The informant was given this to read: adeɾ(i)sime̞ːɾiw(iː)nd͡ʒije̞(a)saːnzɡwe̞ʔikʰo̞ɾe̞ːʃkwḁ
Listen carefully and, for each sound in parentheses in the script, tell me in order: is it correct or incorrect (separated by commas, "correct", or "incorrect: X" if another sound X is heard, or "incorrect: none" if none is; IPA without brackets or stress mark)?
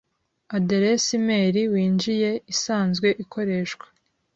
incorrect: e, correct, incorrect: i